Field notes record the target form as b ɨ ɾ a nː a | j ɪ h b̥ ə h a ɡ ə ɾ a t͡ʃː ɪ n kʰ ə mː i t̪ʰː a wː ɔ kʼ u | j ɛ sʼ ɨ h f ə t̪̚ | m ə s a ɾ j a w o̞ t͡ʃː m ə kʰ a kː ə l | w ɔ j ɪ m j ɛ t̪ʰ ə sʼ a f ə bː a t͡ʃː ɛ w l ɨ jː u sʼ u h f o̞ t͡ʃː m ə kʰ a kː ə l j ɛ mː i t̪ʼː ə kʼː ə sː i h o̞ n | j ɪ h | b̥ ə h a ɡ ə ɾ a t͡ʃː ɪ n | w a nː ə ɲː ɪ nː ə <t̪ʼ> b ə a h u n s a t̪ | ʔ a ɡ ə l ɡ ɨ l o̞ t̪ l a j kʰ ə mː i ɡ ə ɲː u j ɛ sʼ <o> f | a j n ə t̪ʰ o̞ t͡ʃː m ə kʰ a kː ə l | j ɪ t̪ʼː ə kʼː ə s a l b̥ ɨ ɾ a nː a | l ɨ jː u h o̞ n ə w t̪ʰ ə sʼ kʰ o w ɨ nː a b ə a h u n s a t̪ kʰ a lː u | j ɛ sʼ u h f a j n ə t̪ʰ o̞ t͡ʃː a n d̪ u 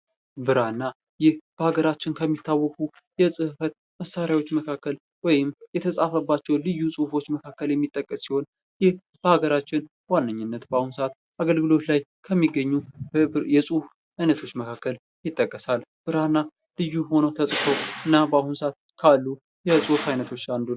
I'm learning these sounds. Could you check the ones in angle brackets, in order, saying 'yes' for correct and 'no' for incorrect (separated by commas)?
no, no